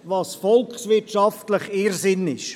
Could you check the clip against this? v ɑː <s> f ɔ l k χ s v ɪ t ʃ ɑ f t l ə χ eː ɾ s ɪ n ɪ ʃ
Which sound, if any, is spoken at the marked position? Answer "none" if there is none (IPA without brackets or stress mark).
s